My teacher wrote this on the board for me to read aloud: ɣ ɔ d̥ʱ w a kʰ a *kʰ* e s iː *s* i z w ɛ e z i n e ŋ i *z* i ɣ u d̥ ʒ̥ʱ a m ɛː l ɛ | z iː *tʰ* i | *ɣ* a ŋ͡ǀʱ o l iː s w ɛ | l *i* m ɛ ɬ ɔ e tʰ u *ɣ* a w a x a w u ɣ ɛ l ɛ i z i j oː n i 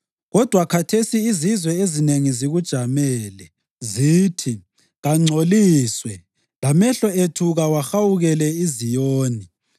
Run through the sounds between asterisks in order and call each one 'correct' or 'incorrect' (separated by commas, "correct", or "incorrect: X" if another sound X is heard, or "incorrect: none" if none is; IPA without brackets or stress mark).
incorrect: tʰ, incorrect: z, correct, correct, correct, incorrect: a, correct